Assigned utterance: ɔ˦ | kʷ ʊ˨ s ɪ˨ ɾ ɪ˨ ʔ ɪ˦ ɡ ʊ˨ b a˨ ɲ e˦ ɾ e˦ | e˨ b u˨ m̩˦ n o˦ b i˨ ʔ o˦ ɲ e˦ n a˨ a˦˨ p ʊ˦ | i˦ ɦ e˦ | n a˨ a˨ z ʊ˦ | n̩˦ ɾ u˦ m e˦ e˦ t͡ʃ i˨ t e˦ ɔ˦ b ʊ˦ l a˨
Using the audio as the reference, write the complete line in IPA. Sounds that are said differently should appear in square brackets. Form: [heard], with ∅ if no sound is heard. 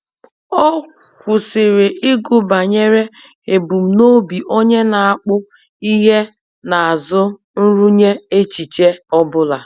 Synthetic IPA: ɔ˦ | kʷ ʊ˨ s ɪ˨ ɾ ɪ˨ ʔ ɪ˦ ɡ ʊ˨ b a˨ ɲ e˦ ɾ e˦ | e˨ b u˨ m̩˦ n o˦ b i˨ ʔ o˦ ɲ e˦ n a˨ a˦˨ [k͡p] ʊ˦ | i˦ ɦ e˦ | n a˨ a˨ z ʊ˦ | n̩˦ ɾ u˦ [ɲ] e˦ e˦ t͡ʃ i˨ [t͡ʃ] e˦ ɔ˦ b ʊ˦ l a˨

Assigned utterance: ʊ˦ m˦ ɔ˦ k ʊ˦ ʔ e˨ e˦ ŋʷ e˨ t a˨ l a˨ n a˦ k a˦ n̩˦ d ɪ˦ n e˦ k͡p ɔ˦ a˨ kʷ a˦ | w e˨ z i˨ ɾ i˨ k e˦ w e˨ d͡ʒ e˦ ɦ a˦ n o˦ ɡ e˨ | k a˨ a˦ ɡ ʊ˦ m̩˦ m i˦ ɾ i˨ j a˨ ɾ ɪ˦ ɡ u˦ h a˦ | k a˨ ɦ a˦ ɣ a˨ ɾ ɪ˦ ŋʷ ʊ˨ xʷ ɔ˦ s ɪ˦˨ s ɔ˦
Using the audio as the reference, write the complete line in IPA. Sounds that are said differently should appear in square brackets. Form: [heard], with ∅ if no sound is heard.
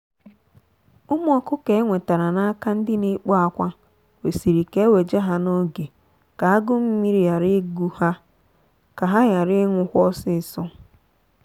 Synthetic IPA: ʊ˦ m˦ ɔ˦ k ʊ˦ [k] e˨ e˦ ŋʷ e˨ t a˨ [ɾ] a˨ n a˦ k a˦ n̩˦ d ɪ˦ n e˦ k͡p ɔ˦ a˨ kʷ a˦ | w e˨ [s] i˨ ɾ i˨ k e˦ w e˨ d͡ʒ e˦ ɦ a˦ n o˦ ɡ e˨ | k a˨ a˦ ɡ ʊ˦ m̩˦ m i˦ ɾ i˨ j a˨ ɾ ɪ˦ ɡ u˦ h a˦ | k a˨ ɦ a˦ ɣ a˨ ɾ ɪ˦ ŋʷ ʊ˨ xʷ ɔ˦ s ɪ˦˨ s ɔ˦

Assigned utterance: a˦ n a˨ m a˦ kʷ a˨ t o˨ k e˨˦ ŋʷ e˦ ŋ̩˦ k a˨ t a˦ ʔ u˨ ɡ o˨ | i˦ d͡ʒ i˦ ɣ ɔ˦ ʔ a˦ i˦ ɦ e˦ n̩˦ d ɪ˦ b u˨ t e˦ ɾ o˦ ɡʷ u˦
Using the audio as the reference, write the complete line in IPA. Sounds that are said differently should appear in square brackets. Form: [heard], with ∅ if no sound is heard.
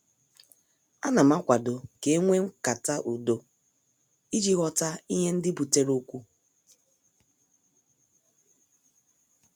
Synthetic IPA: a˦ n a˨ m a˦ kʷ a˨ [d] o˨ k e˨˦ ŋʷ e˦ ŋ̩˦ k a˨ t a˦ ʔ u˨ [d] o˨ | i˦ d͡ʒ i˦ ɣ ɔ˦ [t] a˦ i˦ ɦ e˦ n̩˦ d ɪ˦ b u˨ t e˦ ɾ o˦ [kʷ] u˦

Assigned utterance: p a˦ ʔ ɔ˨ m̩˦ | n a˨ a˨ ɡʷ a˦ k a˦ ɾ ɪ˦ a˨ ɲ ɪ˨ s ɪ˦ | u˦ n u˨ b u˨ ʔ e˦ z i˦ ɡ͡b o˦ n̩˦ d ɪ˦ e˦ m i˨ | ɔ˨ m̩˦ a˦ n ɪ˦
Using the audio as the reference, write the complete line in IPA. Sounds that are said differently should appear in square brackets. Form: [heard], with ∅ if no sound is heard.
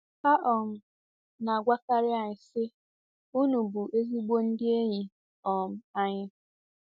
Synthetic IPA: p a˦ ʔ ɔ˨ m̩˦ | n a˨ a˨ ɡʷ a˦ k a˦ ɾ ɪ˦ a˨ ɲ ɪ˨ s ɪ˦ | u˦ n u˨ b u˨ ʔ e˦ z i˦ ɡ͡b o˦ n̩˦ d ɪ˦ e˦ [ɲ] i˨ | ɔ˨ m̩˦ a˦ [ɲ] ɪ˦

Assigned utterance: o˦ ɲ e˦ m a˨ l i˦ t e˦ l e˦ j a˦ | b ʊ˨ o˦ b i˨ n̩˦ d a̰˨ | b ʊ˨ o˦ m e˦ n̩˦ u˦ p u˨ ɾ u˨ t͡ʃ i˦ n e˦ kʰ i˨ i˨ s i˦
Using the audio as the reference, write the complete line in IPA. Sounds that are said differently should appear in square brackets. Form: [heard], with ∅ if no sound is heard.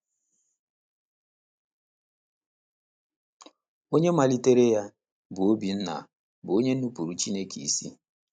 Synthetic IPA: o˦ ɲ e˦ m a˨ l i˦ t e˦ [ɾ] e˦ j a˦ | b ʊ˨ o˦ b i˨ n̩˦ [n] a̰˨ | b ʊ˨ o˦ [ɲ] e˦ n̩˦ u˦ p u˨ ɾ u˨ t͡ʃ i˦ n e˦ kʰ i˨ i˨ s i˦

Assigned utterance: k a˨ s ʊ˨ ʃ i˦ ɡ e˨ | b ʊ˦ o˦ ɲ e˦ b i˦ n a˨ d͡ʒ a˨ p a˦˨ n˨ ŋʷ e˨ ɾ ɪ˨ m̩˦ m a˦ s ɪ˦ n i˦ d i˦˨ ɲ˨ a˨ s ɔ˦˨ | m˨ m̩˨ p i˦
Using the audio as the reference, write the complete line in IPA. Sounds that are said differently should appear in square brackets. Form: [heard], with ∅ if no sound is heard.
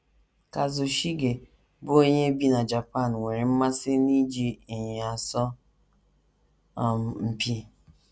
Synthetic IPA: k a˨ [z] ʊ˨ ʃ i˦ ɡ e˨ | b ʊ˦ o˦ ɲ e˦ b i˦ n a˨ d͡ʒ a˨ p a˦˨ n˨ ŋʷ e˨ ɾ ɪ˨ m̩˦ m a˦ s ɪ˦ n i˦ [d͡ʒ] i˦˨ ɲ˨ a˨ s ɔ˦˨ | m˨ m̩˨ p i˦

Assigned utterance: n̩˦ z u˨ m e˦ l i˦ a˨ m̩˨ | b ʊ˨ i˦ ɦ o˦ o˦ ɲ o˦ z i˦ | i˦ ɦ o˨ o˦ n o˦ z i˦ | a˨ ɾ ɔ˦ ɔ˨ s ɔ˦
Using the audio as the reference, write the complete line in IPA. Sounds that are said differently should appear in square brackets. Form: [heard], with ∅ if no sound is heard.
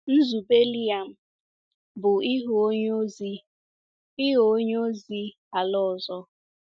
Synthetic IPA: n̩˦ z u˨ [b] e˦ l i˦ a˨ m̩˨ | b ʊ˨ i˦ ɦ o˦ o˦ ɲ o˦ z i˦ | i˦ ɦ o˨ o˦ [ɲ] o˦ z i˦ | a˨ [l] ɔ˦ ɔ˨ [z] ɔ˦

